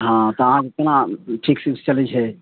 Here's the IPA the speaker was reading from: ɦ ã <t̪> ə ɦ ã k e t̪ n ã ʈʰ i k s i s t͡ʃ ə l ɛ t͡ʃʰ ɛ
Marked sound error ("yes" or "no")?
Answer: no